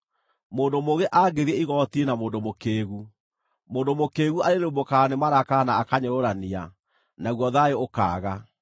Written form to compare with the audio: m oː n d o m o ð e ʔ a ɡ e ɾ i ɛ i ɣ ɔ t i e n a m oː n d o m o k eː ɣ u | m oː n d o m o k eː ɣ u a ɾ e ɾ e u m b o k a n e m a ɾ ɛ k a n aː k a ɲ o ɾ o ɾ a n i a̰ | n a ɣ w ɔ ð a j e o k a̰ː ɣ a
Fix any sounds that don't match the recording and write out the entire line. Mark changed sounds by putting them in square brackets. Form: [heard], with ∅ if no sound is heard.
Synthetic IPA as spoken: m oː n d o m o [ɣ] e ʔ a ɡ e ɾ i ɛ i ɣ ɔ t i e n a m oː n d o m o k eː ɣ u | m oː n d o m o k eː ɣ u a ɾ e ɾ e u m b o k a n e m a ɾ [a] k a n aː k a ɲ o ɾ o ɾ a n i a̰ | n a ɣ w ɔ ð a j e o k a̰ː ɣ a